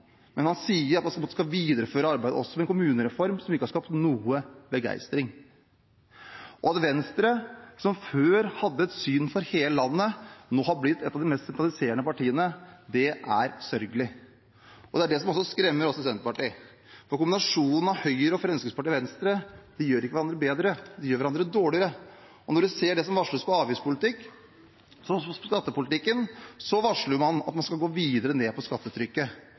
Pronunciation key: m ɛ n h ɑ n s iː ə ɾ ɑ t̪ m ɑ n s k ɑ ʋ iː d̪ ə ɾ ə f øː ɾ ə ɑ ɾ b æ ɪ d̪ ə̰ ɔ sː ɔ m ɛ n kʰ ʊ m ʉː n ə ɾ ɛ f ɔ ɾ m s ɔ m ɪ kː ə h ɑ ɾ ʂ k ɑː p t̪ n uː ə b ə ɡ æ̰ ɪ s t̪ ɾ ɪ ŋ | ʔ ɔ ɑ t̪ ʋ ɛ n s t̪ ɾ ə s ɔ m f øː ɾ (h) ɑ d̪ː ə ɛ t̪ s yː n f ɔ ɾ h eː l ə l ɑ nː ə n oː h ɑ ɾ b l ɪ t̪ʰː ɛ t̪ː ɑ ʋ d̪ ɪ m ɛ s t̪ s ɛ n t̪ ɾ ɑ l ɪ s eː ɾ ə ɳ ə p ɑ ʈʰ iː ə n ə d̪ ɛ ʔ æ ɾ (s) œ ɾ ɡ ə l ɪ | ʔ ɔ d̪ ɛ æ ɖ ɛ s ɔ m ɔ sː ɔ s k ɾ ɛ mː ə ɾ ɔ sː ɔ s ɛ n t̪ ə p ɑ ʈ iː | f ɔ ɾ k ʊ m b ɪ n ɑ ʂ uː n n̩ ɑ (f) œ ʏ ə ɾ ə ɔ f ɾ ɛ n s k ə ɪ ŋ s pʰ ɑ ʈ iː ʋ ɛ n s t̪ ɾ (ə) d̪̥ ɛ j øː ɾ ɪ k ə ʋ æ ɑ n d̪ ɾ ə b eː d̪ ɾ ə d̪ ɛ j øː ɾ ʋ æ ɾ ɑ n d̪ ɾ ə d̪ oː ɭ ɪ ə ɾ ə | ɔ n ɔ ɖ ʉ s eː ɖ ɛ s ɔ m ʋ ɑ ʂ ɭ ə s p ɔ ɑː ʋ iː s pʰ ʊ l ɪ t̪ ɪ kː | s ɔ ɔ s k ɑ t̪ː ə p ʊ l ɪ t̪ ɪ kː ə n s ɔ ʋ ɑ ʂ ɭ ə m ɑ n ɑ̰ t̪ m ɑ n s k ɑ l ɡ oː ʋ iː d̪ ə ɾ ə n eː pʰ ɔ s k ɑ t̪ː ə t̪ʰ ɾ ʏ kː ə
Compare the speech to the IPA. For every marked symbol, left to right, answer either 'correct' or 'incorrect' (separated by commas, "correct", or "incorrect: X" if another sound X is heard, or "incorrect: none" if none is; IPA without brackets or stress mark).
correct, correct, incorrect: h, correct